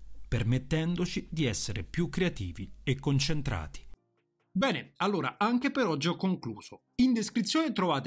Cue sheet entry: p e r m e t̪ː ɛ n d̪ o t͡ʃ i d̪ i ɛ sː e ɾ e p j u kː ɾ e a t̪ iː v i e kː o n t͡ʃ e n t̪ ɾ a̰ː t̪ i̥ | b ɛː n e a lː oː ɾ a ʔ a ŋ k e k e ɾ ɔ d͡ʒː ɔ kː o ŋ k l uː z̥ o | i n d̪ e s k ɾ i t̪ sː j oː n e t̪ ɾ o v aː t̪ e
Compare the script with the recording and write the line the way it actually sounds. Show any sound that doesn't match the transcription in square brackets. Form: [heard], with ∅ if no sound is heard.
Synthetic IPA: p e r m e t̪ː ɛ n d̪ o t͡ʃ i d̪ i ɛ sː e ɾ e p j u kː ɾ e a t̪ iː v i e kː o n t͡ʃ e n t̪ ɾ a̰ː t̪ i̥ | b ɛː n e a lː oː ɾ a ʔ a ŋ k e [p] e ɾ ɔ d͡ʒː ɔ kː o ŋ k l uː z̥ o | i n d̪ e s k ɾ i t̪ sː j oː n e t̪ ɾ o v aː t̪ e